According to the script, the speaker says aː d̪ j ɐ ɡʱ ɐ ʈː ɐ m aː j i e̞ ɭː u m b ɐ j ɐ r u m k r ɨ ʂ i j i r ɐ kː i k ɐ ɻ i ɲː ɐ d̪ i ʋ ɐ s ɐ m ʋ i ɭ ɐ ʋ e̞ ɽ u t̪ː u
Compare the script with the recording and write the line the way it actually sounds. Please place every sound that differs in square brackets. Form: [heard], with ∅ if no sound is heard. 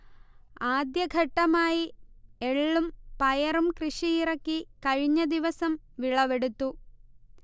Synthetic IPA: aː d̪ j ɐ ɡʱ ɐ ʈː ɐ m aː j i e̞ ɭː u m [p] ɐ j ɐ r u m k r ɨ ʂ i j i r ɐ kː i k ɐ ɻ i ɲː ɐ d̪ i ʋ ɐ s ɐ m ʋ i ɭ ɐ ʋ e̞ ɽ u t̪ː u